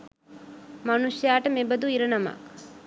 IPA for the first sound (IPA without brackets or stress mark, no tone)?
m